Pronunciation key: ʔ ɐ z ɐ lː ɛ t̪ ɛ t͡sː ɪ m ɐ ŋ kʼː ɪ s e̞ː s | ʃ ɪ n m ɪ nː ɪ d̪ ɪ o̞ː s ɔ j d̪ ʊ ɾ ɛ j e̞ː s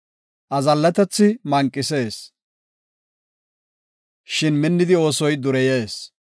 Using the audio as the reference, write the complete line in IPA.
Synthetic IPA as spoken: ʔ ɐ z ɐ lː ɛ t̪ ɛ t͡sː ɪ m ɐ ŋ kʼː ɪ s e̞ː s | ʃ ɪ n m ɪ nː ɪ d̪ ɪ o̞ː s ɔ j d̪ ʊ ɾ ɛ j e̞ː s

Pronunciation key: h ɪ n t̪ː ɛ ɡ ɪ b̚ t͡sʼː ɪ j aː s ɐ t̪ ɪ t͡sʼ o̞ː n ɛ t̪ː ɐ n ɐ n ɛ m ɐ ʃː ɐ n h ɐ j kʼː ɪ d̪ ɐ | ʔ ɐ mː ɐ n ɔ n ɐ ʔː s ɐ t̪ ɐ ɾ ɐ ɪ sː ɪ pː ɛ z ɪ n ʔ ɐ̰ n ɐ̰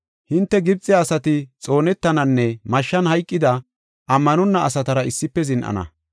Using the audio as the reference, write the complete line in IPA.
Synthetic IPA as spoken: h ɪ n t̪ː ɛ ɡ ɪ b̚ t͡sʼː ɪ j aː s ɐ t̪ ɪ t͡sʼ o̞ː n ɛ t̪ː ɐ n ɐ nː ɛ m ɐ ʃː ɐ n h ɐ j kʼː ɪ d̪ ɐ | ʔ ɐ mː ɐ n ɔ nː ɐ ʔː s ɐ t̪ ɐ ɾ ɐ ɪ sː ɪ pː ɛ z ɪ n ʔ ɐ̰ n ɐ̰

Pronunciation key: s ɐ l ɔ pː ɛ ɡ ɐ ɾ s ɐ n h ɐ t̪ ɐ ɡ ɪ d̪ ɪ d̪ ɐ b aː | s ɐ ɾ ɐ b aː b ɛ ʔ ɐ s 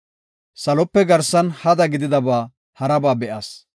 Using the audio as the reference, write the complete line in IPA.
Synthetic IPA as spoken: s ɐ l ɔ pː ɛ ɡ ɐ ɾ s ɐ n h ɐ d̪ ɐ ɡ ɪ d̪ ɪ d̪ ɐ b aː | h ɐ ɾ ɐ b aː b ɛ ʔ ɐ s

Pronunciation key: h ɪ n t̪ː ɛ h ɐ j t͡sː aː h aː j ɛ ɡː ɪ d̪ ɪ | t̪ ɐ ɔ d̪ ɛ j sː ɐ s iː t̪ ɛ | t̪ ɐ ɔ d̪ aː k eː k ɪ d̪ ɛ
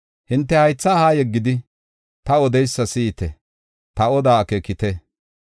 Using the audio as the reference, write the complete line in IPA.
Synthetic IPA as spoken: h ɪ n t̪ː ɛ h ɐ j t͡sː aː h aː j ɛ ɡː ɪ d̪ ɪ | t̪ ɐ ɔ d̪ ɛ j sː ɐ s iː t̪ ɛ | t̪ ɐ ɔ d̪ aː k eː k ɪ t̪ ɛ

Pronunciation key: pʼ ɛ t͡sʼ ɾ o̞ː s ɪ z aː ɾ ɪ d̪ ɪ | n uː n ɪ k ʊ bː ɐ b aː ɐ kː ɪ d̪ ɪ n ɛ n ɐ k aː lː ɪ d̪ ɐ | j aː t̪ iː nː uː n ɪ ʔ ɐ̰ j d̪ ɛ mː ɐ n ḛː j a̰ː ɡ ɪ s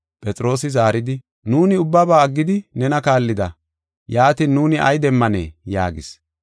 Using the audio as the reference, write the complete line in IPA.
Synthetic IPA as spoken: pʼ ɛ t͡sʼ ɾ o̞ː s ɪ z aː ɾ ɪ d̪ ɪ | n uː n ɪ ʊ bː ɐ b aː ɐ ɡː ɪ d̪ ɪ n ɛ n ɐ k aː lː ɪ d̪ ɐ | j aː t̪ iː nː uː n ɪ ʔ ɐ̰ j d̪ ɛ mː ɐ n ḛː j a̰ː ɡ ɪ s

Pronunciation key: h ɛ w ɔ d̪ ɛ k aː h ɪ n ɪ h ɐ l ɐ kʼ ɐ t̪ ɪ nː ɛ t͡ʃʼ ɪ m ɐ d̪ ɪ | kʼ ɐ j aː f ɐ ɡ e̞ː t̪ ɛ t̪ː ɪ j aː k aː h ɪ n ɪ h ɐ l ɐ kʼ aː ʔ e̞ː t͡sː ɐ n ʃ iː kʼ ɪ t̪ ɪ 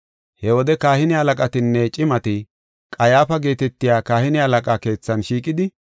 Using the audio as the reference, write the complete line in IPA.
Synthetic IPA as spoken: h ɛ w ɔ d̪ ɛ k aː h ɪ n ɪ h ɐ l ɐ kʼ ɐ t̪ ɪ nː ɛ t͡ʃʼ ɪ m ɐ t̪ ɪ | kʼ ɐ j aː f ɐ ɡ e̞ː t̪ ɛ t̪ː ɪ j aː k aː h ɪ n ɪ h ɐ l ɐ kʼ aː k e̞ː t͡sː ɐ n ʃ iː kʼ ɪ d̪ ɪ

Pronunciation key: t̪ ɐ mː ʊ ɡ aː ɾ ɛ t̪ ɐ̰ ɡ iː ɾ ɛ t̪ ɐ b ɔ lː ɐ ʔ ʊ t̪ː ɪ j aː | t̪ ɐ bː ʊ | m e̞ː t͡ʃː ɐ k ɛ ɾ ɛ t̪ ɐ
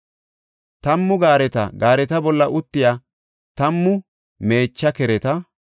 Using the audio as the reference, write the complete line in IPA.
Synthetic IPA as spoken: t̪ ɐ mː ʊ ɡ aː ɾ ɛ t̪ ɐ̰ ɡ aː ɾ ɛ t̪ ɐ b ɔ lː ɐ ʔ ʊ t̪ː ɪ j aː | t̪ ɐ mː ʊ | m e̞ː t͡ʃː ɐ k ɛ ɾ ɛ t̪ ɐ

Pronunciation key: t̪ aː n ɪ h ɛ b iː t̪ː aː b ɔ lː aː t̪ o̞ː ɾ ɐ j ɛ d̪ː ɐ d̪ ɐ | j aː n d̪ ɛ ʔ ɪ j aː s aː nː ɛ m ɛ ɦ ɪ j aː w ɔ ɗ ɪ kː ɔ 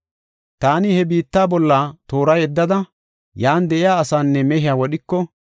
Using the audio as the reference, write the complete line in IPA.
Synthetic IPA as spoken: t̪ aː n ɪ h ɛ b iː t̪ː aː b ɔ lː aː t̪ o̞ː ɾ ɐ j ɛ d̪ː ɐ d̪ ɐ | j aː n d̪ ɛ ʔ ɪ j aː s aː nː ɛ m ɛ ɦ ɪ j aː w ɔ ɗ ɪ kː ɔ

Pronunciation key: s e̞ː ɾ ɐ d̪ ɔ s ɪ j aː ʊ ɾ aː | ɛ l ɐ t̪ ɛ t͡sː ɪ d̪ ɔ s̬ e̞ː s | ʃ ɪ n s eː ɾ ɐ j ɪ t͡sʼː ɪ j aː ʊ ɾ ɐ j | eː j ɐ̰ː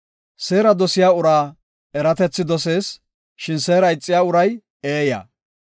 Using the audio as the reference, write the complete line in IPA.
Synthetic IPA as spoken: s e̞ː ɾ ɐ d̪ ɔ s ɪ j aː ʊ ɾ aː | ɛ ɾ ɐ t̪ ɛ t͡sː ɪ d̪ ɔ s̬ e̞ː s | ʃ ɪ n s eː ɾ ɐ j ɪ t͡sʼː ɪ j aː ʊ ɾ ɐ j | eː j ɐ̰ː

